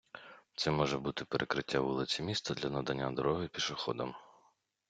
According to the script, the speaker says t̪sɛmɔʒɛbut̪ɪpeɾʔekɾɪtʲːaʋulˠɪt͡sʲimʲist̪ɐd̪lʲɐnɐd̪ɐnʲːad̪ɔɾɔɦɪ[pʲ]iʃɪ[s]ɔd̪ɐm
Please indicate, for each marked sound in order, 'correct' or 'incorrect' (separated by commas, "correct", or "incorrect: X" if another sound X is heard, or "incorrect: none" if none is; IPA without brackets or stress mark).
correct, incorrect: x